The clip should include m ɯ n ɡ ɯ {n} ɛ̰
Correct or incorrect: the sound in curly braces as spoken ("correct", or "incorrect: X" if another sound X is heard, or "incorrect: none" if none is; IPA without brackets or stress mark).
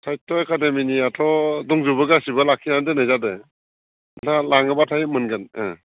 correct